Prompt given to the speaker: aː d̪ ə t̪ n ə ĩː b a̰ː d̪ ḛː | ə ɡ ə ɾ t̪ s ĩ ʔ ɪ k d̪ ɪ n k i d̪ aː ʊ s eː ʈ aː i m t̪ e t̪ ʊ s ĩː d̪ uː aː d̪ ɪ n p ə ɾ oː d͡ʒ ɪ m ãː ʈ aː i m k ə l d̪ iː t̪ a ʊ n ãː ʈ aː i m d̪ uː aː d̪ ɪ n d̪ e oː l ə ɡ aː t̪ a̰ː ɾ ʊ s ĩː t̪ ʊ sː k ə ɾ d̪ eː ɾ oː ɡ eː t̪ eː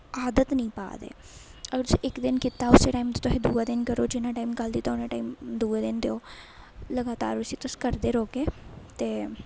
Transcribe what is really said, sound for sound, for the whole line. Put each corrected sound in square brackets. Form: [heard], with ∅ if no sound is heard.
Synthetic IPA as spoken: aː d̪ ə t̪ n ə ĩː [p] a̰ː d̪ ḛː | ə ɡ ə ɾ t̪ s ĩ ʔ ɪ k d̪ ɪ n k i [t̪] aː ʊ s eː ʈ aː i m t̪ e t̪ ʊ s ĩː d̪ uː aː d̪ ɪ n [k] ə ɾ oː d͡ʒ ɪ [n] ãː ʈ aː i m k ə l d̪ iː t̪ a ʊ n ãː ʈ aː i m d̪ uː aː d̪ ɪ n d̪ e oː l ə ɡ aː t̪ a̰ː ɾ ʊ s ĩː t̪ ʊ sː k ə ɾ d̪ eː ɾ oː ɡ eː t̪ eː